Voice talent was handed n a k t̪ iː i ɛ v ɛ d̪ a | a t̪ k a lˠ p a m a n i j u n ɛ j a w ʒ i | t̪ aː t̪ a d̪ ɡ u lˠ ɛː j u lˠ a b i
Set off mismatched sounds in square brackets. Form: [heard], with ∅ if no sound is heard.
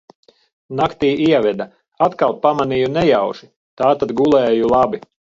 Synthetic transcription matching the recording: n a k t̪ iː i ɛ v ɛ d̪ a | a t̪ k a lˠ p a m a n i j u n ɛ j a w ʒ i | t̪ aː t̪ a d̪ ɡ u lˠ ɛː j u lˠ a b i